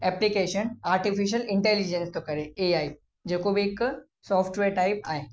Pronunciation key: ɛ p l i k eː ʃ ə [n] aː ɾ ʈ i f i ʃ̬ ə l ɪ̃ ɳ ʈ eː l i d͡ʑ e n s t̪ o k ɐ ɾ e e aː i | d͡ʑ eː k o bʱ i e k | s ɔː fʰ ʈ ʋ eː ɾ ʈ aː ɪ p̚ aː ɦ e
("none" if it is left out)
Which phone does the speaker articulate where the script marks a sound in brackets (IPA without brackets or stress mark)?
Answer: n